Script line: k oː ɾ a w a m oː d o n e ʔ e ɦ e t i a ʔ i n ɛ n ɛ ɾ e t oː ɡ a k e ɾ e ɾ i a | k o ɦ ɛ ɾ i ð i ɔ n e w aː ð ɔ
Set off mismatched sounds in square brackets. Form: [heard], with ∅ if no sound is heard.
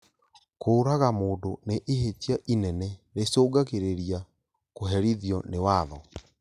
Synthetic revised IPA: k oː ɾ a [ɣ] a m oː d o n e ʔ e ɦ e t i a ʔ i n ɛ n ɛ ɾ e [s] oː ɡ a k e ɾ e ɾ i a | k o ɦ ɛ ɾ i ð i ɔ n e w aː ð ɔ